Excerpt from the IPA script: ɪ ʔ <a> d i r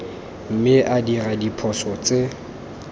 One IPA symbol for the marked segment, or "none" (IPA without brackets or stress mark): a